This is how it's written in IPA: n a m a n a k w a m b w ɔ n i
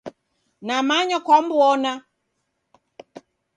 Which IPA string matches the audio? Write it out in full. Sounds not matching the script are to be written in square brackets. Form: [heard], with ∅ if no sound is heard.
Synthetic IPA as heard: n a m a [ɲ] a k w a m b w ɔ n [a]